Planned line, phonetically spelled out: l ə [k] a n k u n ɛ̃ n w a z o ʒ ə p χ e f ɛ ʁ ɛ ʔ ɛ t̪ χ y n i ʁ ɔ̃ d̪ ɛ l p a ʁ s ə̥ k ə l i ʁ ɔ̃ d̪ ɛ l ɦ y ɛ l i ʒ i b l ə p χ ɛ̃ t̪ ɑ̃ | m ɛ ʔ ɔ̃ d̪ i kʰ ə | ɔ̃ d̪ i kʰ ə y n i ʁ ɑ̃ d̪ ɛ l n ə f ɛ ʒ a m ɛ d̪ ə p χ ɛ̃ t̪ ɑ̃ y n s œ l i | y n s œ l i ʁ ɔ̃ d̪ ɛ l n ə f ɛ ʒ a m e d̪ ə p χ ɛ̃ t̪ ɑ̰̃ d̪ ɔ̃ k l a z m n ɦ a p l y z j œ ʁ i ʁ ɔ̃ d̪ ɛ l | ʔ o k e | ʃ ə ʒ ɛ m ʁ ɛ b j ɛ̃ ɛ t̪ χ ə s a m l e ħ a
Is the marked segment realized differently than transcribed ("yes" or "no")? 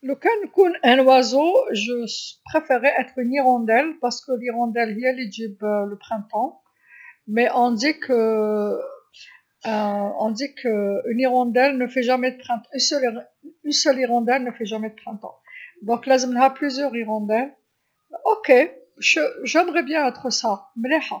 no